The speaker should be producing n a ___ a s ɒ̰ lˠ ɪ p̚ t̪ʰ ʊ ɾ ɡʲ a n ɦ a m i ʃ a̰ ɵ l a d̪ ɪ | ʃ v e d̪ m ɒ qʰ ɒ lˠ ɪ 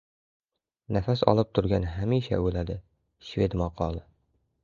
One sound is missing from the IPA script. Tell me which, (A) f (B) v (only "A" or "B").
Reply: A